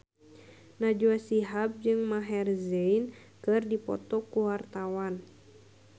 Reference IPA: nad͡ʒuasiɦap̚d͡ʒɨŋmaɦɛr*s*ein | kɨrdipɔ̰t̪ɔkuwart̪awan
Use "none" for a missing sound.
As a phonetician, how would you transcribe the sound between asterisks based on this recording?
z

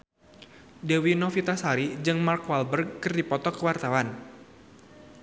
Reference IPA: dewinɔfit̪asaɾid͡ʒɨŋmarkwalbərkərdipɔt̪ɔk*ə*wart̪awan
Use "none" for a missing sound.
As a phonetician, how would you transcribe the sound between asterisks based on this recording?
ə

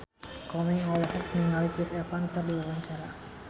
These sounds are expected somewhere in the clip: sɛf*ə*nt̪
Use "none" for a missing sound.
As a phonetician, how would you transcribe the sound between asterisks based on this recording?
a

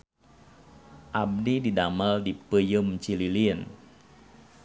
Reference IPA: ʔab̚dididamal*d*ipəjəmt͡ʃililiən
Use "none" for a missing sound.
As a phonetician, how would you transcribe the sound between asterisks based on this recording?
d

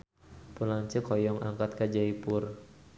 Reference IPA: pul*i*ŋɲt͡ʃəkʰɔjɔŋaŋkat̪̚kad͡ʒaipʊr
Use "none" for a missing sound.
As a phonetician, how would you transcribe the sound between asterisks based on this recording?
a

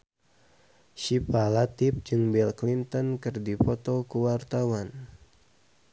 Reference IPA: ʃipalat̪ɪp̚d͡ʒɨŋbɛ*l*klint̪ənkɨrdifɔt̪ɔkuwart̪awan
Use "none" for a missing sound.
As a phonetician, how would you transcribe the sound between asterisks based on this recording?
l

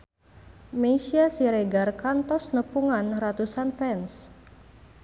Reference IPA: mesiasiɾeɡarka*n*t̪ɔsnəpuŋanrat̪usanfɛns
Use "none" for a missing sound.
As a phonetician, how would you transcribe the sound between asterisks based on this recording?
n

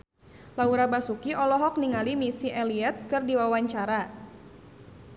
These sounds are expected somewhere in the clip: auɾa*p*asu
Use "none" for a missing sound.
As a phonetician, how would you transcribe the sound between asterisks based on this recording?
b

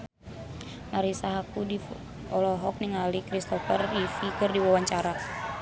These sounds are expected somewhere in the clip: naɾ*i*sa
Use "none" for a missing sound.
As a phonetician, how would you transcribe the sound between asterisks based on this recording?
i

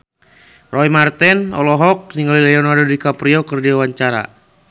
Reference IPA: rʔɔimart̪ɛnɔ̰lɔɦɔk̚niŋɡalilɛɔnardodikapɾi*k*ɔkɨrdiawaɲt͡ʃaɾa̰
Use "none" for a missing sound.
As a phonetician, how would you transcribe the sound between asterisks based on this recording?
none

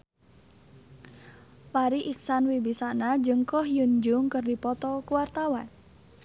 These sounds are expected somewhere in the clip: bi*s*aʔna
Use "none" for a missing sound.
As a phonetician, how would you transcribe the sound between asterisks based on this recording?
s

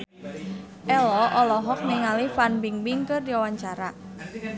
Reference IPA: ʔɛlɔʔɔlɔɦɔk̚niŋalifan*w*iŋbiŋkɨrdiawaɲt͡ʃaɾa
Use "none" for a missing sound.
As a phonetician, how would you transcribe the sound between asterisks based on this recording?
b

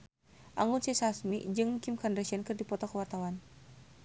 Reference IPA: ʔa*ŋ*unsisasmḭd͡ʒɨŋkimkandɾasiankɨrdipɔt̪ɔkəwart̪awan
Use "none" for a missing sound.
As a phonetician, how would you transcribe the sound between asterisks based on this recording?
ŋ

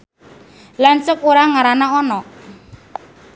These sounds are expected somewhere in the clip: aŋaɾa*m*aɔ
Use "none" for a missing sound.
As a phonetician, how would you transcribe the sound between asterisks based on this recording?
n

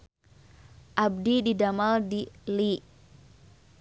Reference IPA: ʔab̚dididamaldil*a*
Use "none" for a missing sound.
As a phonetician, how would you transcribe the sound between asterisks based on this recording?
i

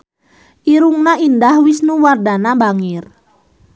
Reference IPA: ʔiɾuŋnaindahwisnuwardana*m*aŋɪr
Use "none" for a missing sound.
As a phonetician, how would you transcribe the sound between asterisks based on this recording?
b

